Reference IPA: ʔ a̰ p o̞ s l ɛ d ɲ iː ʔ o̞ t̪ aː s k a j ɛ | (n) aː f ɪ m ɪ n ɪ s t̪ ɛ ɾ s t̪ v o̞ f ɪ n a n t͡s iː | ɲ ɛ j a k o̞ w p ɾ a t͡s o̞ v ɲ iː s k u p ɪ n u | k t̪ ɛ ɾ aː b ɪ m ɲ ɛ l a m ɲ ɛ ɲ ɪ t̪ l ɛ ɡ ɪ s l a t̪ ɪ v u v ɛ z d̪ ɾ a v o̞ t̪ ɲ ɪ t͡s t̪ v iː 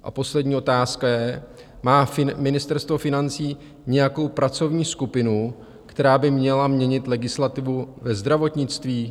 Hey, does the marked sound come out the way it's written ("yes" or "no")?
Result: no